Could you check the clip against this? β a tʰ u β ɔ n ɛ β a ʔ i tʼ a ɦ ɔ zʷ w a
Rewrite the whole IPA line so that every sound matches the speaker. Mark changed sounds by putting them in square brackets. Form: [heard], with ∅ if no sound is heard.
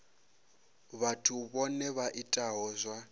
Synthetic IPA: β a tʰ u β ɔ n ɛ β a ʔ i tʼ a ɦ ɔ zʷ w a